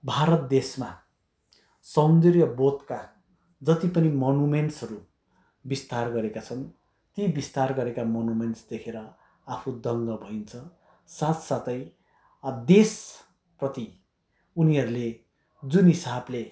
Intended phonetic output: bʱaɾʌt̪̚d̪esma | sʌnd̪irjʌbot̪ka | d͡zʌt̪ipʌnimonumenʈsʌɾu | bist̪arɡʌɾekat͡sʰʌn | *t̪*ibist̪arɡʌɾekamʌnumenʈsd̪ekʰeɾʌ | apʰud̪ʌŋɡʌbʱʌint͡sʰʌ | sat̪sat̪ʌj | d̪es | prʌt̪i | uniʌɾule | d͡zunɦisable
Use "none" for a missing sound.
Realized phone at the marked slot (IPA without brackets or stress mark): t̪